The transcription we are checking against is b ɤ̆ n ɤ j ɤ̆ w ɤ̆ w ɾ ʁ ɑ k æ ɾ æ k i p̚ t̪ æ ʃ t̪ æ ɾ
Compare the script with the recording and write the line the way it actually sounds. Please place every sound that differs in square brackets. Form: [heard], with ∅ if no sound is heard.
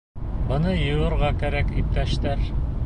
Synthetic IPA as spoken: b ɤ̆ n ɤ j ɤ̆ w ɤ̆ [∅] ɾ ʁ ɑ k æ ɾ æ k i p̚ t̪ æ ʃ t̪ æ ɾ